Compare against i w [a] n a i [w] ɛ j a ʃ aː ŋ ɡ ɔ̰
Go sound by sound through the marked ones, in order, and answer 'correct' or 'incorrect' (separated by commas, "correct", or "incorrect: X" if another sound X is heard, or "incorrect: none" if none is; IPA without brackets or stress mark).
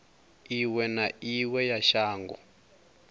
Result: incorrect: ɛ, correct